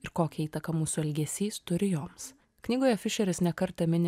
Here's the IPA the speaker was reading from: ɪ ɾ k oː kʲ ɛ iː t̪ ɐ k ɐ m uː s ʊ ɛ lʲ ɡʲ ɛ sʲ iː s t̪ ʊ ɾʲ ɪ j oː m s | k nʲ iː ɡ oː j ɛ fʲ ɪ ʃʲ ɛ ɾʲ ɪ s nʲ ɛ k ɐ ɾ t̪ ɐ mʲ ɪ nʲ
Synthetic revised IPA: ɪ ɾ k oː kʲ ɛ iː t̪ ɐ k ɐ m uː s ʊ ɛ lʲ ɡʲ ɛ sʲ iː s t̪ ʊ ɾʲ ɪ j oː m s | k nʲ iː ɡ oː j ɛ fʲ ɪ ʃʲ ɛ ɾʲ ɪ s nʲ ɛ k ɐ ɾ t̪ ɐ mʲ ɪ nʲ